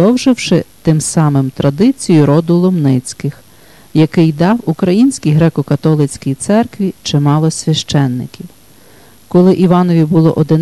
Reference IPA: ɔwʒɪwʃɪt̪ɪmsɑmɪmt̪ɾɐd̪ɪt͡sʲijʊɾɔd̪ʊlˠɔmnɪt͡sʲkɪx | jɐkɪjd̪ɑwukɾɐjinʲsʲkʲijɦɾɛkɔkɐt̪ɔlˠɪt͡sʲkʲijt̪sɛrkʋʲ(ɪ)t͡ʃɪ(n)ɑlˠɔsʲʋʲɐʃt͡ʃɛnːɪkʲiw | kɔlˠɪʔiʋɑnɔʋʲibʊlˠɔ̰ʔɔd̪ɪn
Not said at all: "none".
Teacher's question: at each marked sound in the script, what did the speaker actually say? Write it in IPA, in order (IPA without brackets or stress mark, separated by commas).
i, m